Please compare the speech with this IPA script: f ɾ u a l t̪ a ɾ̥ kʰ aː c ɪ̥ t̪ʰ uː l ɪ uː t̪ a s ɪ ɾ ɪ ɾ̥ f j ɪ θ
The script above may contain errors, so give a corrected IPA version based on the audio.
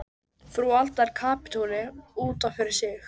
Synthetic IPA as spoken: f ɾ u a l t̪ a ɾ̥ kʰ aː p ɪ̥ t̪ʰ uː l ɪ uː t̪ a f ɪ ɾ ɪ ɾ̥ s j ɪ x